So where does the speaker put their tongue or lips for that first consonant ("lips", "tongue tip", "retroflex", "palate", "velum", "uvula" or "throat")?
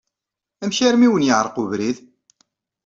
lips